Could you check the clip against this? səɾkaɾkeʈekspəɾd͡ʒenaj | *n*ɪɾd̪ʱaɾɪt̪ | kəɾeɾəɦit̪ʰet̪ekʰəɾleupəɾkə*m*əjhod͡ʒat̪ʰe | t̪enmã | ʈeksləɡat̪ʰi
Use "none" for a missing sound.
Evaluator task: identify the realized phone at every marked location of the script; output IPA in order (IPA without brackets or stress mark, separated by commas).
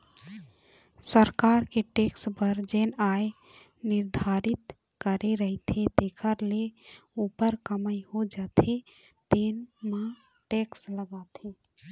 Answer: n, m